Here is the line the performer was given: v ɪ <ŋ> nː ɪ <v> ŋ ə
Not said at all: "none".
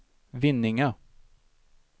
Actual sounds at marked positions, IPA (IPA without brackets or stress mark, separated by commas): none, none